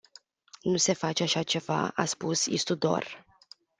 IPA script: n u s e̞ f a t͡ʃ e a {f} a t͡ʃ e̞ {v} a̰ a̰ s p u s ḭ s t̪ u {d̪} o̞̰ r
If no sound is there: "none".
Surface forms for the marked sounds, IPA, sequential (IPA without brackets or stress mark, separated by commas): ʃ, v, d̪